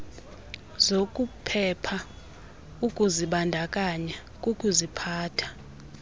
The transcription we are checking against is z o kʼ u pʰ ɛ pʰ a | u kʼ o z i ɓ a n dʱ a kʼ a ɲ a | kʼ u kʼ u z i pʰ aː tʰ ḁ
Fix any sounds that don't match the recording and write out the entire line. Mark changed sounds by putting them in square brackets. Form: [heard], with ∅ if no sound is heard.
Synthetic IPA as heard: z o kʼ u pʰ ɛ pʰ a | u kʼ [u] z i ɓ a n dʱ a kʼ a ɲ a | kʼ u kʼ u z i pʰ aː tʰ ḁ